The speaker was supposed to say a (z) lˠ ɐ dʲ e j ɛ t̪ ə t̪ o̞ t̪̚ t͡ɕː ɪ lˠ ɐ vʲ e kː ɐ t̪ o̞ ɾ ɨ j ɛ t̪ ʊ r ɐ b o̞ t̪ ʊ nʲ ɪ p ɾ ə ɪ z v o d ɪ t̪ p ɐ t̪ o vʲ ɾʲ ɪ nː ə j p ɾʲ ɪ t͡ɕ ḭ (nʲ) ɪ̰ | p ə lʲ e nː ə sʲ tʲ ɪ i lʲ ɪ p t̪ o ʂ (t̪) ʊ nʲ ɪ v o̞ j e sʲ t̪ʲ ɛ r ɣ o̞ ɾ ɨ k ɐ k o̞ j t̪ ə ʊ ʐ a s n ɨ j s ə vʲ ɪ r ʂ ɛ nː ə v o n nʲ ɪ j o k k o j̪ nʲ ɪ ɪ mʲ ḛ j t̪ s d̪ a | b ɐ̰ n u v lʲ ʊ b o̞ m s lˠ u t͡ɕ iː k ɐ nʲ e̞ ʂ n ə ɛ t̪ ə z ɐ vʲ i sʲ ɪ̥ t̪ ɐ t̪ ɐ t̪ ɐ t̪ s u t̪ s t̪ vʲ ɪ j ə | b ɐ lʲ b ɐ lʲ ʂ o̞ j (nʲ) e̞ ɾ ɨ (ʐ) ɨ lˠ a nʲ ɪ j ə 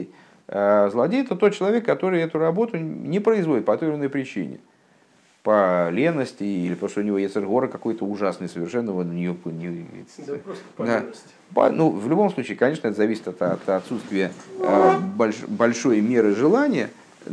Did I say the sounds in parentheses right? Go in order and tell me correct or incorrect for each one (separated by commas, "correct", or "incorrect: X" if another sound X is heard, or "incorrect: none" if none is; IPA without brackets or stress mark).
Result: correct, correct, correct, incorrect: mʲ, correct